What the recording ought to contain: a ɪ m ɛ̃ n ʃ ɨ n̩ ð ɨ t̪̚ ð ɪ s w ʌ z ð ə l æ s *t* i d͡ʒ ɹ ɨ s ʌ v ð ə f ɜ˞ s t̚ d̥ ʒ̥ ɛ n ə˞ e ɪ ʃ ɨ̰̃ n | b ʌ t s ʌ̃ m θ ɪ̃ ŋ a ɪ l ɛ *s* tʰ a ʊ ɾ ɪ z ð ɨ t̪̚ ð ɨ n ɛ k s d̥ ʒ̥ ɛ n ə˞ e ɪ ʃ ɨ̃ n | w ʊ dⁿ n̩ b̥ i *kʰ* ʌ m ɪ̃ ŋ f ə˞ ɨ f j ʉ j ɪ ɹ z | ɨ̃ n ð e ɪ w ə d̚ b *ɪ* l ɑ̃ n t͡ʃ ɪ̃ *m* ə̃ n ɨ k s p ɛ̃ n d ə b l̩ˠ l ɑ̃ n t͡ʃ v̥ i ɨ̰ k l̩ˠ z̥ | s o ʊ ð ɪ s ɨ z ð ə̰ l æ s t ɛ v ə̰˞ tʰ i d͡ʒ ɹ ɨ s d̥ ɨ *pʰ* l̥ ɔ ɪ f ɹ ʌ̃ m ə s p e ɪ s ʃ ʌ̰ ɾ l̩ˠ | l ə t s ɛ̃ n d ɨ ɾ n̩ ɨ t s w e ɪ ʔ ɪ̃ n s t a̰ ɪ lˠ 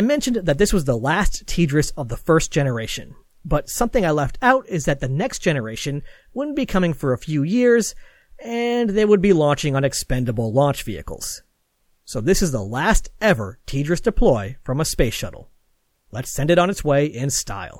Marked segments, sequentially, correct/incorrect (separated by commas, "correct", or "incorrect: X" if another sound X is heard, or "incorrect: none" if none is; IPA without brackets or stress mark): incorrect: tʰ, incorrect: f, correct, incorrect: i, incorrect: ŋ, correct